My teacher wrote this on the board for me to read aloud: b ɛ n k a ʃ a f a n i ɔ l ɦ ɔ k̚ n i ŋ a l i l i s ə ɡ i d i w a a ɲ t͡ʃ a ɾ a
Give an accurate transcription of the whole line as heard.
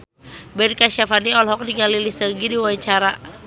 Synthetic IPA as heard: b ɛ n k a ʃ a f a n i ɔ l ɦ ɔ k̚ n i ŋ a l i l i s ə ɡ i d i w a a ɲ t͡ʃ a ɾ a

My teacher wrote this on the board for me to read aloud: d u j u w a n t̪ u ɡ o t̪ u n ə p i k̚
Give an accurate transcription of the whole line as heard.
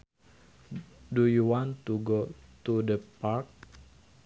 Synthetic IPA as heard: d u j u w a n t̪ u ɡ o t̪ u d ə p a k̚

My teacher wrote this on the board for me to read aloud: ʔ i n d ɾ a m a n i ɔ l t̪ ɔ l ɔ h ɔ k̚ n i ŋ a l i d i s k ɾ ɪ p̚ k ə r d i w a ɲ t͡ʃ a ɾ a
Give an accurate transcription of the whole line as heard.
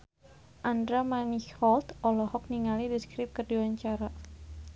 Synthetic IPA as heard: ʔ a n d ɾ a m a n i ɔ l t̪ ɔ l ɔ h ɔ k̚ n i ŋ a l i d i s k ɾ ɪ p̚ k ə r d i w a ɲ t͡ʃ a ɾ a

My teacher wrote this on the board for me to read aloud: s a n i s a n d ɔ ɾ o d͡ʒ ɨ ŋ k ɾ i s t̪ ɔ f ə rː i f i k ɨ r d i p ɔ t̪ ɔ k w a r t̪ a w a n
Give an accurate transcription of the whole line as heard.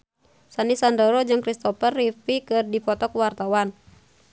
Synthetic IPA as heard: s a n i s a n d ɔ ɾ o d͡ʒ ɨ ŋ k ɾ i s t̪ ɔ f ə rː i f i k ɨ r d i p ɔ t̪ ɔ k w a r t̪ a w a n

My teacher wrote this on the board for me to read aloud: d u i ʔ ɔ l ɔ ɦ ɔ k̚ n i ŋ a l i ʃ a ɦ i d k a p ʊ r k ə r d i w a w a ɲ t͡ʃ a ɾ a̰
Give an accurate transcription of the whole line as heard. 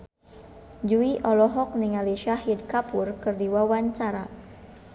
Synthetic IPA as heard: d͡ʒ u i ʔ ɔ l ɔ ɦ ɔ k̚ n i ŋ a l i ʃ a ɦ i d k a p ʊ r k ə r d i w a w a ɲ t͡ʃ a ɾ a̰

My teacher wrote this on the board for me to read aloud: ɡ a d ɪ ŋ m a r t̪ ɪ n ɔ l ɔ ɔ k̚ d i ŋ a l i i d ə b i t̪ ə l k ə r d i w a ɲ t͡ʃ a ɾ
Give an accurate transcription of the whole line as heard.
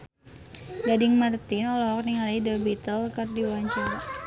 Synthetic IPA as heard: ɡ a d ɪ ŋ m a r t̪ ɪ n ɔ l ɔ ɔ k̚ n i ŋ a l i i d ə b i t̪ ə l k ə r d i w a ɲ t͡ʃ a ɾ

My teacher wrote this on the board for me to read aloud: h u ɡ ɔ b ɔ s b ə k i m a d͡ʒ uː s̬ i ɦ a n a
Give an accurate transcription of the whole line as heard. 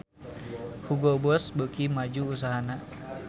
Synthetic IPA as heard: h u ɡ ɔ b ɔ s b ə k i m a d͡ʒ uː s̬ a ɦ a n a

